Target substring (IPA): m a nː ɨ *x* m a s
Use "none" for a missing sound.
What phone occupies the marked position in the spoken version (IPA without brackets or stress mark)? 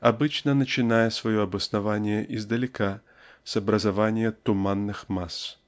x